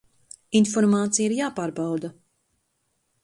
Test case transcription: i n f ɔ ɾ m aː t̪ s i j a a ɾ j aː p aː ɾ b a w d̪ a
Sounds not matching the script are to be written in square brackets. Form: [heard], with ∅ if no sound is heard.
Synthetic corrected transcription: i n f ɔ ɾ m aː t̪ s i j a [i] ɾ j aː p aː ɾ b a w d̪ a